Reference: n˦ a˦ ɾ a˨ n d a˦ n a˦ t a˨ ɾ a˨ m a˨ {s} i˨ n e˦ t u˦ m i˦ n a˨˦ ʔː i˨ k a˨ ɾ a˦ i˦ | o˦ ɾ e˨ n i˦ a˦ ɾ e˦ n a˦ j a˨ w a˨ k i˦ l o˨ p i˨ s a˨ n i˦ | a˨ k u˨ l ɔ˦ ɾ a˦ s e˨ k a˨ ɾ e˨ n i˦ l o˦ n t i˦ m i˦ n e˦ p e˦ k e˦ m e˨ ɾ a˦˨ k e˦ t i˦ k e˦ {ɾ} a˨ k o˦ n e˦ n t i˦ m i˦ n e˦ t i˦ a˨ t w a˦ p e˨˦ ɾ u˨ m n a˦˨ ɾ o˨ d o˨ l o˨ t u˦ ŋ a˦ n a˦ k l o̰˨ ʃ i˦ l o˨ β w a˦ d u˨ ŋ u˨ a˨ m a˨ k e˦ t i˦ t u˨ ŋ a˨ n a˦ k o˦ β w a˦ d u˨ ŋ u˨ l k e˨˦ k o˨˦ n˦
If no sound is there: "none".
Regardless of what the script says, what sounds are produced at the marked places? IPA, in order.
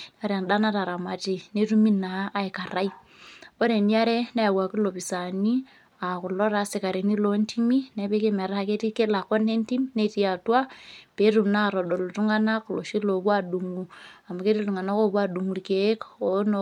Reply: t, l

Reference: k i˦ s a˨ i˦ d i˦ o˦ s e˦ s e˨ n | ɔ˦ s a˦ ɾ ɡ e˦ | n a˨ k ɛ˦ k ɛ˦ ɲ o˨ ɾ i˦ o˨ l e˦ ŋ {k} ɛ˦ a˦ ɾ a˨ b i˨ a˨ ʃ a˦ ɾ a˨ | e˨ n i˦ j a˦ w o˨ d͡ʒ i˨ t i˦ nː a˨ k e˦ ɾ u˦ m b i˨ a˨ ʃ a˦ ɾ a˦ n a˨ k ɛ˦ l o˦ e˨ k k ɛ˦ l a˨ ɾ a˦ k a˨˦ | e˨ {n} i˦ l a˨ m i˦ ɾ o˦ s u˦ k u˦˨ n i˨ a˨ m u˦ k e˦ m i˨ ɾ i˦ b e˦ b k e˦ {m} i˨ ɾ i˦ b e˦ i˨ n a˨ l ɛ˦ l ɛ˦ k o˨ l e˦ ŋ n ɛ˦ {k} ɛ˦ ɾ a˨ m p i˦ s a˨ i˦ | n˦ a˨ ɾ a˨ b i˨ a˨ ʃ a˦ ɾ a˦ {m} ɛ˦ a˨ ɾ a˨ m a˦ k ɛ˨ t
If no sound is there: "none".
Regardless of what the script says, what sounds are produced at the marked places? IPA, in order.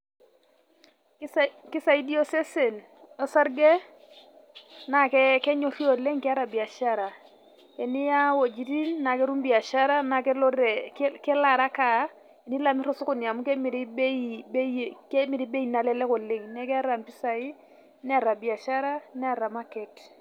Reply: k, n, m, k, n

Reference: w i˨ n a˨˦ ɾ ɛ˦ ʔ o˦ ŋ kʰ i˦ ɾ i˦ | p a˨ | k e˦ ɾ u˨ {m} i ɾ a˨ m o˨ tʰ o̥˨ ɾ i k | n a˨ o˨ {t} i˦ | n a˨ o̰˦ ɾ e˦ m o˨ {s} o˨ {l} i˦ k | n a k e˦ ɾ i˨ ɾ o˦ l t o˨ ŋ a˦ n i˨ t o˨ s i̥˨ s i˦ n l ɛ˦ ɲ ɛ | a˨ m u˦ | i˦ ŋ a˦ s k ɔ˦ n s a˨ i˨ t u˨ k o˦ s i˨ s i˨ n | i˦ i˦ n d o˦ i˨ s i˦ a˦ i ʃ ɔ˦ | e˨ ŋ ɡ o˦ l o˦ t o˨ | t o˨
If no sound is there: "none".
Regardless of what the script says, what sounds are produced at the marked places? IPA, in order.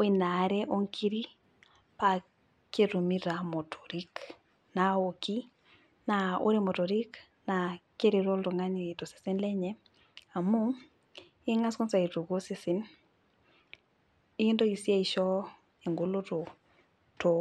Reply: m, k, t, ɾ

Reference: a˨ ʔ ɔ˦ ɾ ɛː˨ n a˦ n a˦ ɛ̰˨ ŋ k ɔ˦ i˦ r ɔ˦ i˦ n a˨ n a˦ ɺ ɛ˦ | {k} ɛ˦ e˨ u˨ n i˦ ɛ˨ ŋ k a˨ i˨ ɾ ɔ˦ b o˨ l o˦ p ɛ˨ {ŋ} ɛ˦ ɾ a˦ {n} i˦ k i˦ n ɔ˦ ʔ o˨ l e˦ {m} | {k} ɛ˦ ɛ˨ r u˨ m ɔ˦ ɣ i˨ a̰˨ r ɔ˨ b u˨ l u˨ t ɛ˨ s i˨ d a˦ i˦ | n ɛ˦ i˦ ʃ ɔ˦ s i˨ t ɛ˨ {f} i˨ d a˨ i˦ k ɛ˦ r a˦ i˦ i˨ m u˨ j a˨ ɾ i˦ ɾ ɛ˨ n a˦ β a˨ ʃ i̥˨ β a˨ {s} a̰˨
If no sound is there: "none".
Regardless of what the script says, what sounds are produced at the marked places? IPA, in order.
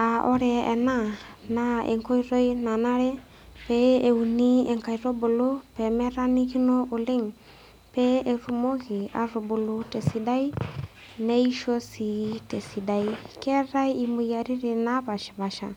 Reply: p, m, n, ŋ, p, s, ʃ

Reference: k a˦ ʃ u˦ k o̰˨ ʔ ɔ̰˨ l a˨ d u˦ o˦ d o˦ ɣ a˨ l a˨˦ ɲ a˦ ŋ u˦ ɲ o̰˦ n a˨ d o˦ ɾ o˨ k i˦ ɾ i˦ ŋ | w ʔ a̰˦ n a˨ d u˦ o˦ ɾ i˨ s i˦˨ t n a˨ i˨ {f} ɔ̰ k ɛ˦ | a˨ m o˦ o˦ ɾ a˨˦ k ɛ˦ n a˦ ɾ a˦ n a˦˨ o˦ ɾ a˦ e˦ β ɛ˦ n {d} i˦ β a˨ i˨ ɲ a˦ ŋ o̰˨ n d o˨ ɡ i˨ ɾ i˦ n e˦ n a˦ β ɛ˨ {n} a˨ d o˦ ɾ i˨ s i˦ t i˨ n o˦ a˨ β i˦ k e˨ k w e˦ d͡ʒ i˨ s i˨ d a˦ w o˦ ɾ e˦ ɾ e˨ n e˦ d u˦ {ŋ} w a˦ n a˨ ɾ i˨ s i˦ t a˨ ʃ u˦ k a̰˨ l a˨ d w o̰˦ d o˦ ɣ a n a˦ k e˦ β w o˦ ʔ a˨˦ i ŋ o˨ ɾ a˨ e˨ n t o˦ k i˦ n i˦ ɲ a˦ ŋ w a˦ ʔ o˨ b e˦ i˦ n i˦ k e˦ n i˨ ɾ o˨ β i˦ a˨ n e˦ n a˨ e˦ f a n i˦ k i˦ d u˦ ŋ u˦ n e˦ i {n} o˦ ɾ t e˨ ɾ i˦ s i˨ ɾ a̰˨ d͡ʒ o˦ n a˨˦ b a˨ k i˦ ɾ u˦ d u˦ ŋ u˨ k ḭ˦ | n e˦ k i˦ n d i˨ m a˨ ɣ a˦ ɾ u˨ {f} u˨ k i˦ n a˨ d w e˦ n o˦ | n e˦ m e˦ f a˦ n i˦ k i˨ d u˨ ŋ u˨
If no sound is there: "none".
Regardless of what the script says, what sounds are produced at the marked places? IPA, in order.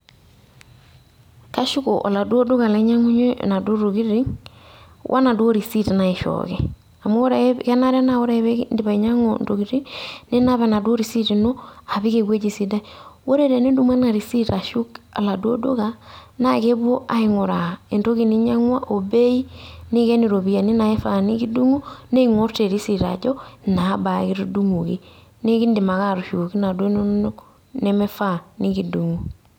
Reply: ʃ, d, n, m, ŋ, ʃ

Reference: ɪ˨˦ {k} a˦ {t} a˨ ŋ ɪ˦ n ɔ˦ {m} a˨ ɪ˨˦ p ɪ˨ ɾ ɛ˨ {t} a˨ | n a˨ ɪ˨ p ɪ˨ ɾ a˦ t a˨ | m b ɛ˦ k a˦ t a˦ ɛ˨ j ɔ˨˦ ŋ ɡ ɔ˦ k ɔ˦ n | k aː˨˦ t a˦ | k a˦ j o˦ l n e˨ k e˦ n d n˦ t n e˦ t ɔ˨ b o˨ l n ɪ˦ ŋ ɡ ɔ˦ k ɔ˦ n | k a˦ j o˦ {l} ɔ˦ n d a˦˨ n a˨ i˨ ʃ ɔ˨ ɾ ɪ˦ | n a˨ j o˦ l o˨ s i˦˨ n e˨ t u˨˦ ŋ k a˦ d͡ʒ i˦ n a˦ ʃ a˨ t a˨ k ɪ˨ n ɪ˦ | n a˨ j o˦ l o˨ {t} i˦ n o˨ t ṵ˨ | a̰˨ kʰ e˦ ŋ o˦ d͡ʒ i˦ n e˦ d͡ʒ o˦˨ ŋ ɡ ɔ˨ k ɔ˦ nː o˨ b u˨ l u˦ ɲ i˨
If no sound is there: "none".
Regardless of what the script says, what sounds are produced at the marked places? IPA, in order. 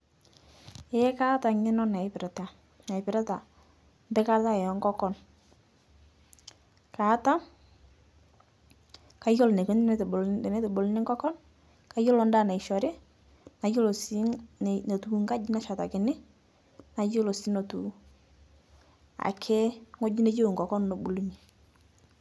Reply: k, t, n, t, l, s

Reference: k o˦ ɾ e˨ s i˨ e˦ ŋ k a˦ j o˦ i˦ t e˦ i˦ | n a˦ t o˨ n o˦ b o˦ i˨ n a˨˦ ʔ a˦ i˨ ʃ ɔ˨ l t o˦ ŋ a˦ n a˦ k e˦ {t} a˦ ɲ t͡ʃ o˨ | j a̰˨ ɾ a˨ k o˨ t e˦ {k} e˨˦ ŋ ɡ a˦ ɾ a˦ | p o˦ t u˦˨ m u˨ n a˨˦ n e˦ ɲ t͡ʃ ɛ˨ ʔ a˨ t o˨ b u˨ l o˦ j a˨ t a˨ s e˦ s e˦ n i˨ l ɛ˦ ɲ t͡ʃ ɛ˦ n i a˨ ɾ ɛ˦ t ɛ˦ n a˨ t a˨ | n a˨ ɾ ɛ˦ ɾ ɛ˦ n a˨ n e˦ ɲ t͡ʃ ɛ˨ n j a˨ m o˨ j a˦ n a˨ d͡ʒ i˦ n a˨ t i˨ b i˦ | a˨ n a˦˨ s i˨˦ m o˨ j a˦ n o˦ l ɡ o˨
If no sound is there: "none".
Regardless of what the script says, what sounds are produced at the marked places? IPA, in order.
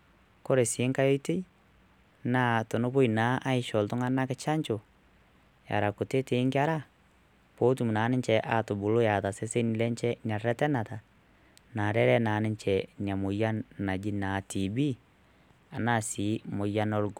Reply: t͡ʃ, t

